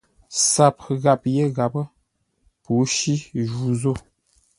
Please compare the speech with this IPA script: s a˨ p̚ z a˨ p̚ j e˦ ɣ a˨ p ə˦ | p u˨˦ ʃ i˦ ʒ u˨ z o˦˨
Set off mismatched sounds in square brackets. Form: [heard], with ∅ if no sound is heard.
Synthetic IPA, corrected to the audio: s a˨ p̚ [ɣ] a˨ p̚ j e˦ ɣ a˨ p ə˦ | p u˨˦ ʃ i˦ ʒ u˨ z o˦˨